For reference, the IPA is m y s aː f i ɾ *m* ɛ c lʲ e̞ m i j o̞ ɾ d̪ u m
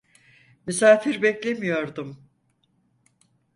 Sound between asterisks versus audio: incorrect: b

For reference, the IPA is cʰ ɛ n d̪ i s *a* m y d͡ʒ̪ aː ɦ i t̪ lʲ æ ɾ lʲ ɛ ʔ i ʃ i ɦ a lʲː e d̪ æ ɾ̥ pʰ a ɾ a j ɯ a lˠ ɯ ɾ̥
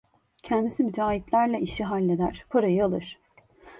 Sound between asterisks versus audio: incorrect: i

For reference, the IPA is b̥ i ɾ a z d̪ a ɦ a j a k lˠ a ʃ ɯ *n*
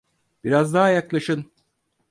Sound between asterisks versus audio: correct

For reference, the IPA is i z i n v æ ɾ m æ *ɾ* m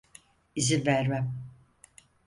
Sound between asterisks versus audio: incorrect: none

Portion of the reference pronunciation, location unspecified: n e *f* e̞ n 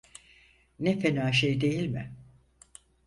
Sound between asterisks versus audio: correct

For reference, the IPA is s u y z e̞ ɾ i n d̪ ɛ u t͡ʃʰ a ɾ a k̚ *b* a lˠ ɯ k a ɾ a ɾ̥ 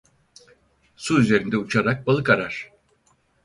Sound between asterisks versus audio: correct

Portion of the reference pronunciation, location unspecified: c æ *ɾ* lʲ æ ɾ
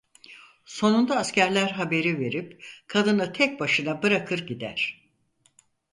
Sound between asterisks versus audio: correct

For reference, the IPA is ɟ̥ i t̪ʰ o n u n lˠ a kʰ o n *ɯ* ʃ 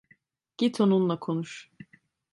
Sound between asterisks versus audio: incorrect: u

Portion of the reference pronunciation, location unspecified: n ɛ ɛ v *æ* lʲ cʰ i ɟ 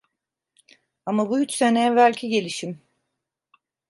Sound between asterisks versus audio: correct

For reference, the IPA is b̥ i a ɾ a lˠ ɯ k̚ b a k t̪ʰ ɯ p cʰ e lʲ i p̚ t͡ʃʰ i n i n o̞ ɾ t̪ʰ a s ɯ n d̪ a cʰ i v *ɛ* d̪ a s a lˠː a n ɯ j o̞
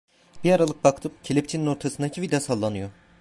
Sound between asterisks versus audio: incorrect: i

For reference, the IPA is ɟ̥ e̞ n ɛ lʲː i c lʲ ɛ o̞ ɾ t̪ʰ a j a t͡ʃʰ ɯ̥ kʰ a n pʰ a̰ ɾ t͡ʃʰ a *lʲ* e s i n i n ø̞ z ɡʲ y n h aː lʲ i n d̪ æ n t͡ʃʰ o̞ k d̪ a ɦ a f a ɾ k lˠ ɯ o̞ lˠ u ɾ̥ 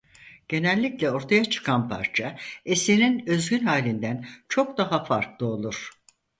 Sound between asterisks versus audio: incorrect: none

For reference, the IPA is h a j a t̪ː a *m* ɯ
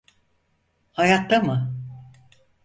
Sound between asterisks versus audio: correct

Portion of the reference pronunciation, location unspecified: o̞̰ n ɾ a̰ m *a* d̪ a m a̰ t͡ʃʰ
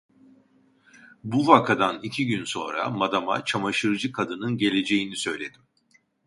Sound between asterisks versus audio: correct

